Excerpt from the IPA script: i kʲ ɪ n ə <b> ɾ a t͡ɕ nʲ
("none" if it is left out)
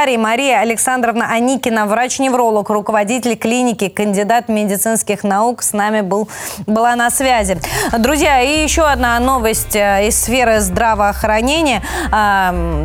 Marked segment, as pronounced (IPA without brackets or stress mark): v